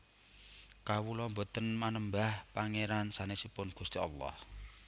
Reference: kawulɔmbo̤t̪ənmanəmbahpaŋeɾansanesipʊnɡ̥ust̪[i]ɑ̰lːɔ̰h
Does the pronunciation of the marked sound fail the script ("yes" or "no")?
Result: no